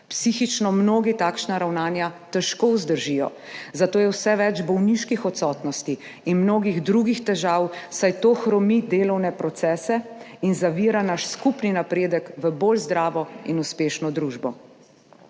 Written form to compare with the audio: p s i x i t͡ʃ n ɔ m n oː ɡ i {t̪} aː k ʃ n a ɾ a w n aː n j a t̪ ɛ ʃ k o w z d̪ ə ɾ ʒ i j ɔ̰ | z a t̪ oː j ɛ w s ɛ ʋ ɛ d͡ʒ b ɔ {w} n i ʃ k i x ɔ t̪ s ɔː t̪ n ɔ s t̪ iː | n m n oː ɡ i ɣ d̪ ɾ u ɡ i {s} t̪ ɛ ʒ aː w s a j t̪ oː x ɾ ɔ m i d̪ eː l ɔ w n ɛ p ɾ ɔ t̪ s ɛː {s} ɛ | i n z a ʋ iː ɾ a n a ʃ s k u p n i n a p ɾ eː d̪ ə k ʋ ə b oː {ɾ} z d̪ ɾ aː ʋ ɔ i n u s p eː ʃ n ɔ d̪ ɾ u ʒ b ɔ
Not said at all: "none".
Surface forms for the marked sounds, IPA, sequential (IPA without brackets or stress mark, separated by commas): t̪, w, x, s, l